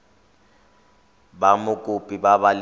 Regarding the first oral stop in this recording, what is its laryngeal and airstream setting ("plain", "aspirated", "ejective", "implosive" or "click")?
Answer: plain